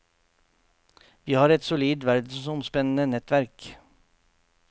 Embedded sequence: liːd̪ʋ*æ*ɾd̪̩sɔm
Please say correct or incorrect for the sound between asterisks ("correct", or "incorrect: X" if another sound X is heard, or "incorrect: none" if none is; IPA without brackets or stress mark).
correct